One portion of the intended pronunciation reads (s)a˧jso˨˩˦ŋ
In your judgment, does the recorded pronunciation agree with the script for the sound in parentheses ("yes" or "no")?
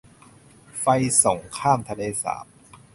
no